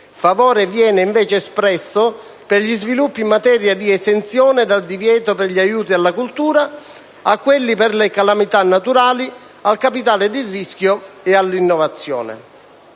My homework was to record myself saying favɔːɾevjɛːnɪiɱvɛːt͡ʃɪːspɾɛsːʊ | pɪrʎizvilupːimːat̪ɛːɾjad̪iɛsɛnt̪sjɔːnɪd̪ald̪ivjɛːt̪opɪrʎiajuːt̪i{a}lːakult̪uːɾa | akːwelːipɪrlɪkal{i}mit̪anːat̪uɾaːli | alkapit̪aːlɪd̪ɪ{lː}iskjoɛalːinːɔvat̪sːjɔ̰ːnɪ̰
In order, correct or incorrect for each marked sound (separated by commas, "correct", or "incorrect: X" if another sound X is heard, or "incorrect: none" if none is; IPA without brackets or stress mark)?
correct, incorrect: a, incorrect: rː